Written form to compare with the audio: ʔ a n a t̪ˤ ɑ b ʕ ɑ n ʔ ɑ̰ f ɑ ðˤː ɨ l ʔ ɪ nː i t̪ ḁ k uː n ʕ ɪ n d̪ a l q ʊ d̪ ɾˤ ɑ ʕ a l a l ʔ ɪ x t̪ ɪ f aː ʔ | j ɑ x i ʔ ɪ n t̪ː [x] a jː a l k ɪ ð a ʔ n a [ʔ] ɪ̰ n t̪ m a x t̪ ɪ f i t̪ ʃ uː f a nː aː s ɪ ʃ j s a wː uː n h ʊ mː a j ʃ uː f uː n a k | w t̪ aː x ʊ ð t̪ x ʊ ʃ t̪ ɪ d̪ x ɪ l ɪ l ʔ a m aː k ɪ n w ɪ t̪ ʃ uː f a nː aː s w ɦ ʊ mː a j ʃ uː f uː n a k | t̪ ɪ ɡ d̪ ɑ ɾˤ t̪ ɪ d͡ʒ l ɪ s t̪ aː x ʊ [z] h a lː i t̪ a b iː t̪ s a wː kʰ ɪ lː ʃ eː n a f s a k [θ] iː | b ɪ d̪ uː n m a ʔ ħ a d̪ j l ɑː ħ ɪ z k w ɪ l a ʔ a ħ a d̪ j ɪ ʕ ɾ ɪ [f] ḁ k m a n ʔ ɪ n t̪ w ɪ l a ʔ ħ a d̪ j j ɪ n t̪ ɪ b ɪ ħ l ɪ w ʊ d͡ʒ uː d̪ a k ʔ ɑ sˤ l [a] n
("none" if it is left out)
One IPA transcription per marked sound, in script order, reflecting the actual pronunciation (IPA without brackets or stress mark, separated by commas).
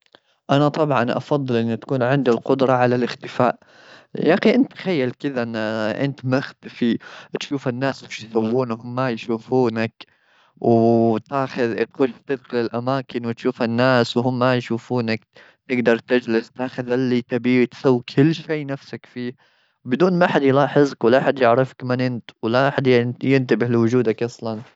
x, ʔ, ð, f, f, ɑ